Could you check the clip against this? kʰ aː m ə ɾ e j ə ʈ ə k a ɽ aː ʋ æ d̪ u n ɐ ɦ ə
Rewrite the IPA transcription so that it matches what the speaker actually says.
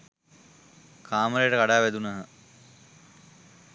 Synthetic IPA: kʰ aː m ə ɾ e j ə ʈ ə k a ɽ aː ʋ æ d̪ u n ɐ ɦ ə